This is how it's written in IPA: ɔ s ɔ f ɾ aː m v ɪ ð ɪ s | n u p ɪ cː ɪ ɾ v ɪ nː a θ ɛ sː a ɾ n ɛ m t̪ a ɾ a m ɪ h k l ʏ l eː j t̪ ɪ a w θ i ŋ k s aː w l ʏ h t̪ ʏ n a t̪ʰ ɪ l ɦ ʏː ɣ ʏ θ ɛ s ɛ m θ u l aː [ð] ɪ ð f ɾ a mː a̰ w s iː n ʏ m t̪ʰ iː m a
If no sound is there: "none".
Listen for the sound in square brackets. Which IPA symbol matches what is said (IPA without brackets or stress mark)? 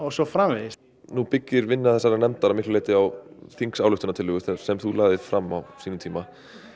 ð